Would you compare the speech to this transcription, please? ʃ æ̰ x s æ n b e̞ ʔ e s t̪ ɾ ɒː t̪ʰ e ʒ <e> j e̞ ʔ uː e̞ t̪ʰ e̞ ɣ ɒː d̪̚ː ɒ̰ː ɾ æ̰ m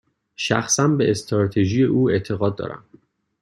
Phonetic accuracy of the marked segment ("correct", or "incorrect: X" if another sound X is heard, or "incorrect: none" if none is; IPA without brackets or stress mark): incorrect: i